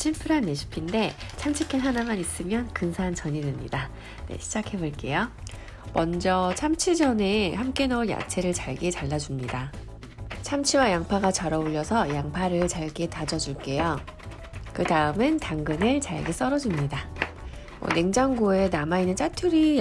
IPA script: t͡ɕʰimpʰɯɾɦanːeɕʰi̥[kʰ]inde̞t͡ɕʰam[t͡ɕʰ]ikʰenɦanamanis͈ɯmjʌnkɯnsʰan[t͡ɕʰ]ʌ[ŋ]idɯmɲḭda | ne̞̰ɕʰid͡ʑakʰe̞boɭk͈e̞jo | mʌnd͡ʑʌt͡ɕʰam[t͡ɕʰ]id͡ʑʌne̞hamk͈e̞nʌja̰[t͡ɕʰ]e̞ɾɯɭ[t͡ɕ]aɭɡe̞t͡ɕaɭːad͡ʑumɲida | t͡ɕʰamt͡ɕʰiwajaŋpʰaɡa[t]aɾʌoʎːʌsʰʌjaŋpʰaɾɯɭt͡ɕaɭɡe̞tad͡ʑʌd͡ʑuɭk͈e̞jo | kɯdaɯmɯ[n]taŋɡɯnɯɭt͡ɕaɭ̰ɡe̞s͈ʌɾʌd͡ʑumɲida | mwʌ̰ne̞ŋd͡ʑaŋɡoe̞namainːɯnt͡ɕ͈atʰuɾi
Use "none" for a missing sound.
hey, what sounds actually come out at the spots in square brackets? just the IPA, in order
pʰ, t͡ɕʰ, t͡ɕ, ɲ, t͡ɕʰ, t͡ɕʰ, t͡ɕ, t͡ɕ, n

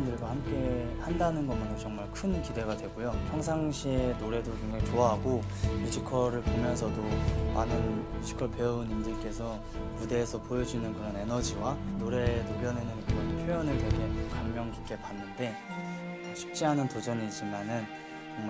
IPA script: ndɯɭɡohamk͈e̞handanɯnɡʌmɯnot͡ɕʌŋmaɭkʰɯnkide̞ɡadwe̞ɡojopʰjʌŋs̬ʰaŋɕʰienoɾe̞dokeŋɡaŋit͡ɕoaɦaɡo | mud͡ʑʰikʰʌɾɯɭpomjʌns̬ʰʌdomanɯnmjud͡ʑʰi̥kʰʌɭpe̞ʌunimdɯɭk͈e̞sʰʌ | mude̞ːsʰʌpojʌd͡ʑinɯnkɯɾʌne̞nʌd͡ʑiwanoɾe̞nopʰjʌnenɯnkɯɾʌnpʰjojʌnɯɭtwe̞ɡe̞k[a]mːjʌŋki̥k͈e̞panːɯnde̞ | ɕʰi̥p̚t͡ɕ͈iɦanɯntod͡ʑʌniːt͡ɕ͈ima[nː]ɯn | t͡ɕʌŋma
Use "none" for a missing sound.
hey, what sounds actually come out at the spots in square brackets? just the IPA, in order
a, n

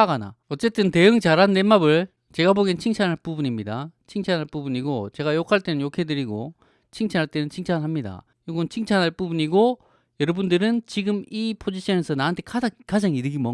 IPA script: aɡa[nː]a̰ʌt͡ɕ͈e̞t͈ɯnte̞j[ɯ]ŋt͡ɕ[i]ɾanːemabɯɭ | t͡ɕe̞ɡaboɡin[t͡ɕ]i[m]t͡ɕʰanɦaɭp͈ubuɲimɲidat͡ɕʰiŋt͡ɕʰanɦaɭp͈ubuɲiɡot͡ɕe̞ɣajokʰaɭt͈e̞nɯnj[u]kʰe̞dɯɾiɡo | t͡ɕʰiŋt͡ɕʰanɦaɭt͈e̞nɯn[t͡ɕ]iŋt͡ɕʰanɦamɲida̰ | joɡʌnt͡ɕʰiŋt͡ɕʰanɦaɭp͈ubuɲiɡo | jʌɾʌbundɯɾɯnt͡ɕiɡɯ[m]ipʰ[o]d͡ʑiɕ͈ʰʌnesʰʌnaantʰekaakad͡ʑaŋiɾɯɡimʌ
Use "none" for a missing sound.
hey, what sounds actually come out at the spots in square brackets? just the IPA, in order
n, ɯ, a, t͡ɕʰ, ŋ, o, t͡ɕʰ, m, o

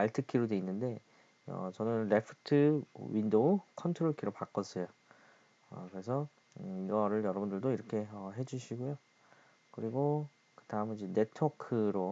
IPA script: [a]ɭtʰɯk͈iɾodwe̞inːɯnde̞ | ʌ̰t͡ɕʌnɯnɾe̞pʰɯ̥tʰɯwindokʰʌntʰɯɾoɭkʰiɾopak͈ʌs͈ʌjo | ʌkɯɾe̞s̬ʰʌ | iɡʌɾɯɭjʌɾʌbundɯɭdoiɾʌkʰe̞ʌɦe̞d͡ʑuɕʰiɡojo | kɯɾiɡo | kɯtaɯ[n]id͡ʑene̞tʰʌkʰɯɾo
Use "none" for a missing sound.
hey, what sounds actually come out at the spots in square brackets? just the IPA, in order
a, m

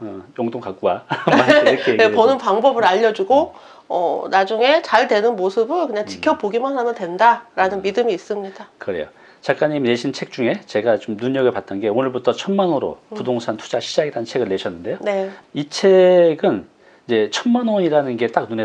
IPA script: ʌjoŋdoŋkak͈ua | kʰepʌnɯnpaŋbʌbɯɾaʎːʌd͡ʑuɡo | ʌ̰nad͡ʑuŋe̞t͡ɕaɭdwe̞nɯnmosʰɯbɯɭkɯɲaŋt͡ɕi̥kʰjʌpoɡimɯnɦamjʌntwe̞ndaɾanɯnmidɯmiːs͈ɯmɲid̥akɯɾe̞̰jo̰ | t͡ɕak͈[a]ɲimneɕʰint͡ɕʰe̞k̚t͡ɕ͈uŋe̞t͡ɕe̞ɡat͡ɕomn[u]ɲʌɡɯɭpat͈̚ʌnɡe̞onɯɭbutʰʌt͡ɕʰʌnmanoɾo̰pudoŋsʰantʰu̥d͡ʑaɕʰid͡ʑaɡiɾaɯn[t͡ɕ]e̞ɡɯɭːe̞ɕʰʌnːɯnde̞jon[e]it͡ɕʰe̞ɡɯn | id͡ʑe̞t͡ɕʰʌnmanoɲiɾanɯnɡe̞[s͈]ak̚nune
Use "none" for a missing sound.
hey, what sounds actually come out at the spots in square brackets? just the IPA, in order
a, u, t͡ɕʰ, e, t͈

